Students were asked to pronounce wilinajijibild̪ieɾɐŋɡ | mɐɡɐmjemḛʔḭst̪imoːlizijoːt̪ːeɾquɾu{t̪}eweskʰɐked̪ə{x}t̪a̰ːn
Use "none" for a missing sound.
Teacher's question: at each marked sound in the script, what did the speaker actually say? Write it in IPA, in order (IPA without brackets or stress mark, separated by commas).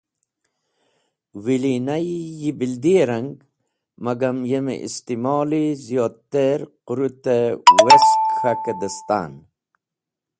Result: t̪, s